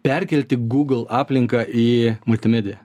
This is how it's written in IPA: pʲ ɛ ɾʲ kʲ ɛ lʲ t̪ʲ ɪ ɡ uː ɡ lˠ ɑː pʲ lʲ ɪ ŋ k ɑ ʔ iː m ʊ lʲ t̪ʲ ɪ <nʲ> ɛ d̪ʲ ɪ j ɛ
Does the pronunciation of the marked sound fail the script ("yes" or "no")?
yes